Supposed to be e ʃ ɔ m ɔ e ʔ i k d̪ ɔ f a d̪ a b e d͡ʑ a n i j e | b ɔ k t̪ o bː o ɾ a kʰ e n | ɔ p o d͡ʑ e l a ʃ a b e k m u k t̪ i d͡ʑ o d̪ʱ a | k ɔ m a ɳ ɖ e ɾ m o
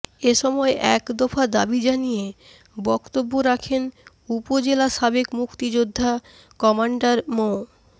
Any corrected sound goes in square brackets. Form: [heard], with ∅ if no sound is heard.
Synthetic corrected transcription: e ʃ ɔ m ɔ e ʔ [ɛ] k d̪ ɔ f a d̪ a b [i] d͡ʑ a n i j e | b ɔ k t̪ o bː o ɾ a kʰ e n | [u] p o d͡ʑ e l a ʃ a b e k m u k t̪ i d͡ʑ o [d̪ʱː] a | k ɔ m a ɳ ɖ [a] ɾ m o